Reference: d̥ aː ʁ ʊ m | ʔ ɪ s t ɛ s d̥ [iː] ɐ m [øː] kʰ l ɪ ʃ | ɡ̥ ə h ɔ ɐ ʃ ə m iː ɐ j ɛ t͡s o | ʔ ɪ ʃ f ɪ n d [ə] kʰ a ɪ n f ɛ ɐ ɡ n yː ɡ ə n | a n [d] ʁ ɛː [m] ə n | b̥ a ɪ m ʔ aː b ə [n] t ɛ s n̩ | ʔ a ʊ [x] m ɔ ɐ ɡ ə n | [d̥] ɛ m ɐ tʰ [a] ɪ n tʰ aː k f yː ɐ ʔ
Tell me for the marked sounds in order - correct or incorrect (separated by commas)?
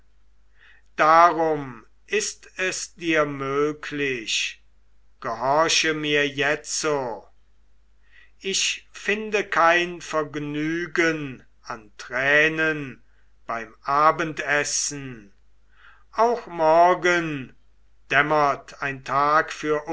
correct, correct, correct, incorrect, incorrect, correct, correct, correct, correct